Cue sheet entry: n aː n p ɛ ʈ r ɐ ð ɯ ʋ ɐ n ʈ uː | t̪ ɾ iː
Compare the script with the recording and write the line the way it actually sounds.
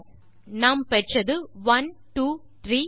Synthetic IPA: n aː m p ɛ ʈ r ɐ ð ɯ ʋ ɐ n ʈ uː | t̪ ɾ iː